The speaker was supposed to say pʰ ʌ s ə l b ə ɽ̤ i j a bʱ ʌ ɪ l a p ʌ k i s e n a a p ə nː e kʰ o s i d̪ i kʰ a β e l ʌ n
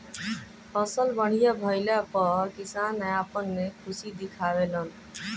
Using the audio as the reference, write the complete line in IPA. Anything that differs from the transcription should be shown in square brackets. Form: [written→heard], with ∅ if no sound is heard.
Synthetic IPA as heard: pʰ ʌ s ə l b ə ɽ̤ i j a bʱ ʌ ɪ l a p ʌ k i s [e→a] n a a p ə nː e kʰ [o→u] s i d̪ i kʰ a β e l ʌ n

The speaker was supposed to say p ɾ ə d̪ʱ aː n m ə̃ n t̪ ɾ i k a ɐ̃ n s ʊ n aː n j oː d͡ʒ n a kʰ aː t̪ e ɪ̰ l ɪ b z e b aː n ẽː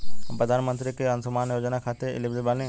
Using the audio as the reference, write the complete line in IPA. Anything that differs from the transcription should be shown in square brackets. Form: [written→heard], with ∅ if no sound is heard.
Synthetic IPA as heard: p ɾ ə d̪ʱ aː n m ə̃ n t̪ ɾ i k [a→e] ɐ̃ n s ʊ [n→m] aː n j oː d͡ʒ n a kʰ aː t̪ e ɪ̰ l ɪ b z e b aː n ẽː

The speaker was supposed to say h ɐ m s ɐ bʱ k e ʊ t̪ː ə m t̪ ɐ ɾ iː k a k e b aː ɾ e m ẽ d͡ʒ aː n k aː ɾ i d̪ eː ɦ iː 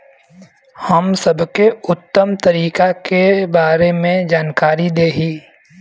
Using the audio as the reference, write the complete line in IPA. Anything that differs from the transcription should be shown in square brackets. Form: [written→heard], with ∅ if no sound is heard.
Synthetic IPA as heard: h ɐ m s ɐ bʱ k e ʊ t̪ː ə m t̪ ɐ ɾ iː k a k e b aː ɾ e m ẽ d͡ʒ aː n k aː ɾ i d̪ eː ɦ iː

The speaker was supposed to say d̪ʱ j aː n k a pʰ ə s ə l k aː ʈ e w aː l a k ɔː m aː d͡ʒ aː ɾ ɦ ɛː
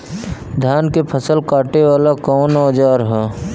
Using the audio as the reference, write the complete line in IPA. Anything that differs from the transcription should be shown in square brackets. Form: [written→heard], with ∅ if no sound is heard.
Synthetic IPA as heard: d̪ʱ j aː n k [a→e] pʰ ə s ə l k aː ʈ e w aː l a k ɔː [m→n] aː d͡ʒ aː ɾ ɦ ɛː

